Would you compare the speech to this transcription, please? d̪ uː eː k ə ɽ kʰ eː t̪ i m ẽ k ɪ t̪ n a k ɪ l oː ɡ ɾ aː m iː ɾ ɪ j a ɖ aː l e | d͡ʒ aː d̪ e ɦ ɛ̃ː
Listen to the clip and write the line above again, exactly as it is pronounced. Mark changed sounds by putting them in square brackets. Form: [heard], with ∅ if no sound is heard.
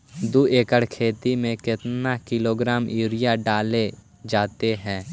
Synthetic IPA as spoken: d̪ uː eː k ə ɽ kʰ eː t̪ i m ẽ k ɪ t̪ n a k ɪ l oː ɡ ɾ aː m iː ɾ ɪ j a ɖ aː l e | d͡ʒ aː [t̪] e ɦ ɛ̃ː